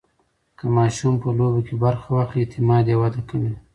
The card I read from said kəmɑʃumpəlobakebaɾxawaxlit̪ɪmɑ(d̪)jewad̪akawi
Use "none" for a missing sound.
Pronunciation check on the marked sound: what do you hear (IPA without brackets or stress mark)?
d̪